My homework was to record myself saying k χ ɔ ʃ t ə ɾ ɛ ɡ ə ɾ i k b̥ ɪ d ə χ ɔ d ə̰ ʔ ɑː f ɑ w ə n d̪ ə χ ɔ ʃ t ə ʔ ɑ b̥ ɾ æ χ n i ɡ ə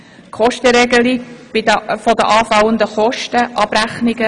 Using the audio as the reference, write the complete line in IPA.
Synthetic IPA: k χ ɔ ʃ t ə ɾ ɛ ɡ ə l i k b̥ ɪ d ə f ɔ d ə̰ ʔ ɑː f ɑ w ə n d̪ ə χ ɔ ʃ t ə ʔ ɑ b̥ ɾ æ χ n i ɡ ə